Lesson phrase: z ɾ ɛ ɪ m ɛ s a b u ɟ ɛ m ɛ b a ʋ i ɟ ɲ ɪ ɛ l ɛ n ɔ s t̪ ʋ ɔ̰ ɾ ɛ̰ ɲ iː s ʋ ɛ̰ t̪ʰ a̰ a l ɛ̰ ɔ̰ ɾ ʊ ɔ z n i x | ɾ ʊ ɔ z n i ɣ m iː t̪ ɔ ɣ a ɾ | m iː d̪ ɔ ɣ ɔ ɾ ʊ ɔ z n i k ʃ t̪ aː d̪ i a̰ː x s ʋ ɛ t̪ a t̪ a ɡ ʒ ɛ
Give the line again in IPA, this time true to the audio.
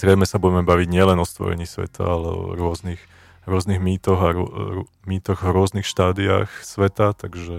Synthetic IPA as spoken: z ɾ ɛ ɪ m ɛ s a b u ɟ ɛ m ɛ b a ʋ i ɟ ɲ ɪ ɛ l ɛ n ɔ s t̪ ʋ ɔ̰ ɾ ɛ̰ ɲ iː s ʋ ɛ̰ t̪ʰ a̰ a l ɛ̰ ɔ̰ ɾ ʊ ɔ z n i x | ɾ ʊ ɔ z n i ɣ m iː t̪ ɔ ɣ a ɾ | m iː t̪ ɔ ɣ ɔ ɾ ʊ ɔ z n i x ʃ t̪ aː d̪ i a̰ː x s ʋ ɛ t̪ a t̪ a ɡ ʒ ɛ